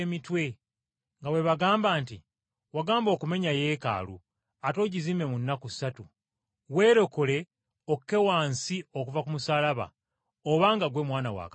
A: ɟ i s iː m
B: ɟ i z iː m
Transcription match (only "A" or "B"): B